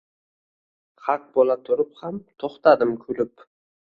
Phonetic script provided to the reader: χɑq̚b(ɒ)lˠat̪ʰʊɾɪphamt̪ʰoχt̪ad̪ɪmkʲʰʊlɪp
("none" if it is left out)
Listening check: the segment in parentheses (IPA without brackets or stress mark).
o